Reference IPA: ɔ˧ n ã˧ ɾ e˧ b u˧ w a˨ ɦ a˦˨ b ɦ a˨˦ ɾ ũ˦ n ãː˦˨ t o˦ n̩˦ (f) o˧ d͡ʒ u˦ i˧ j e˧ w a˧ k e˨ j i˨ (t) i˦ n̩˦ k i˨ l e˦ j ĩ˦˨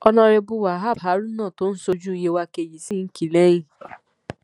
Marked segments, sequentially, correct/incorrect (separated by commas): incorrect, incorrect